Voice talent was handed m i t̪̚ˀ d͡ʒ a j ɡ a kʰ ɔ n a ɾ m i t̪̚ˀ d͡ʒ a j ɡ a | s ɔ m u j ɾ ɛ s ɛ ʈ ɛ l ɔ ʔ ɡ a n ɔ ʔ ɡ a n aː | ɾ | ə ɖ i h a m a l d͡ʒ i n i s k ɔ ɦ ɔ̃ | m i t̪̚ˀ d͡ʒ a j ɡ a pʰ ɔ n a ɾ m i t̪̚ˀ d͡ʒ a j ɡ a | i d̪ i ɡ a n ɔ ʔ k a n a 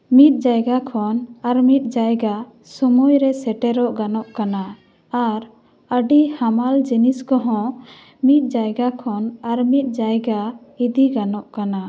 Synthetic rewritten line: m i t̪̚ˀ d͡ʒ a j ɡ a kʰ ɔ n a ɾ m i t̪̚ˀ d͡ʒ a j ɡ a | s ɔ m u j ɾ ɛ s ɛ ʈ ɛ ɾ ɔ ʔ ɡ a n ɔ ʔ k a n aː | ɾ | ə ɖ i h a m a l d͡ʒ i n i s k ɔ ɦ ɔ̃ | m i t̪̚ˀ d͡ʒ a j ɡ a kʰ ɔ n a ɾ m i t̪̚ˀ d͡ʒ a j ɡ a | i d̪ i ɡ a n ɔ ʔ k a n a